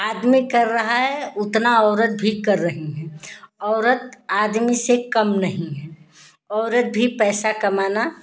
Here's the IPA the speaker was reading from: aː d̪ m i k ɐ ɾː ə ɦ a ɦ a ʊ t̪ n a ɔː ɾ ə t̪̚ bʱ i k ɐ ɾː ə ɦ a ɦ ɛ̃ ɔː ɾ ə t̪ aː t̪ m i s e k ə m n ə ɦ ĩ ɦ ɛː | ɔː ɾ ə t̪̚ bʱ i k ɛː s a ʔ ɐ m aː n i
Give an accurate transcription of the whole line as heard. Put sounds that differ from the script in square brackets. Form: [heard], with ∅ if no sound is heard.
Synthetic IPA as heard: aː d̪ m i k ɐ ɾː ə ɦ a ɦ [ɛ] ʊ t̪ n a ɔː ɾ ə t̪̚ bʱ i k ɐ ɾː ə ɦ [i] ɦ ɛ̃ ɔː ɾ ə t̪ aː [d̪] m i s e k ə m n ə ɦ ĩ ɦ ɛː | ɔː ɾ ə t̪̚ bʱ i [p] ɛː s a [k] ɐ m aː n [a]